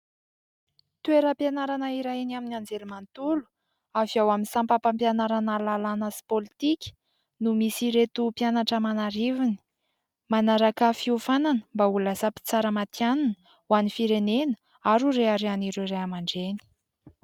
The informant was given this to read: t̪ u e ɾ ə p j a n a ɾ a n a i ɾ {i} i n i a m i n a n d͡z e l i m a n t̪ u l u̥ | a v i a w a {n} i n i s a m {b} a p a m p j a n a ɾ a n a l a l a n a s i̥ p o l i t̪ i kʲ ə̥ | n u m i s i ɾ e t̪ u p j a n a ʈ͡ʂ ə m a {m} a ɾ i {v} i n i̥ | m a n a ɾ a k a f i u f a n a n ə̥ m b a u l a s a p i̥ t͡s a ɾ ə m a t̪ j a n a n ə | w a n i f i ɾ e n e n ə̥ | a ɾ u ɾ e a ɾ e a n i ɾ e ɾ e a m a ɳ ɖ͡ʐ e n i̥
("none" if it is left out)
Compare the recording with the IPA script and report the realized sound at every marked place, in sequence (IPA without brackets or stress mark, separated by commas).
a, m, p, n, v